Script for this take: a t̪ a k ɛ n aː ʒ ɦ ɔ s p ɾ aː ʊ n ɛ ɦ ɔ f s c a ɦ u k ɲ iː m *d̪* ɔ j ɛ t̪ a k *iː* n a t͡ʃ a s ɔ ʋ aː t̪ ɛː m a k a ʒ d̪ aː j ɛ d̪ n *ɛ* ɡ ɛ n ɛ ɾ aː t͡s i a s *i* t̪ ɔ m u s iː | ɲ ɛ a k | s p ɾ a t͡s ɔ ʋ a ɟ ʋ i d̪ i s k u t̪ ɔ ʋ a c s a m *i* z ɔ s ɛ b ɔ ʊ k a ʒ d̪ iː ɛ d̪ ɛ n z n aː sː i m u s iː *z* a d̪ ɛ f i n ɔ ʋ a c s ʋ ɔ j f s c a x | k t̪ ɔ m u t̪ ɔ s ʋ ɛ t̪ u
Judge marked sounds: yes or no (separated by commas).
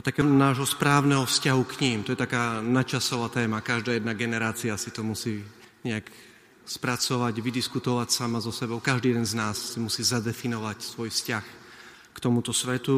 no, no, no, yes, no, yes